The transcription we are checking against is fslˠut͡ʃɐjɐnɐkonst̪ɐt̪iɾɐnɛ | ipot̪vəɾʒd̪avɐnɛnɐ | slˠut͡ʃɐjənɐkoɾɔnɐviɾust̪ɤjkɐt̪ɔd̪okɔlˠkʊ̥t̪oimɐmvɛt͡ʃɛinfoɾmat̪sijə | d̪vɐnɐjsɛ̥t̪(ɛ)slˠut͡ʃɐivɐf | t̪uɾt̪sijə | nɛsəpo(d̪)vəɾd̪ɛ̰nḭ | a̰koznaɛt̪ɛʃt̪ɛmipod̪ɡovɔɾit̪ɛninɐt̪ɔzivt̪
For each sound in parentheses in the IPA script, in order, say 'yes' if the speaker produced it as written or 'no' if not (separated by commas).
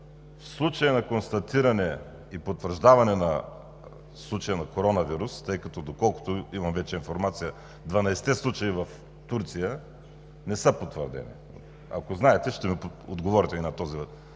yes, no